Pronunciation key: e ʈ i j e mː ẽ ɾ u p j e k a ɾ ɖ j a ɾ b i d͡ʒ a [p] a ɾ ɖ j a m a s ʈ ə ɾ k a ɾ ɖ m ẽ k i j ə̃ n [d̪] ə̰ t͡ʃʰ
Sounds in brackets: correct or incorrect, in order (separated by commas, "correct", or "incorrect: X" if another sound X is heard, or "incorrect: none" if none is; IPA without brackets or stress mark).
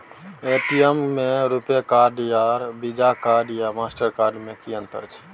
incorrect: k, incorrect: t̪